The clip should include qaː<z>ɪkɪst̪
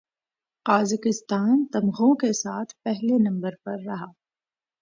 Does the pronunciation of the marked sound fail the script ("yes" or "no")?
no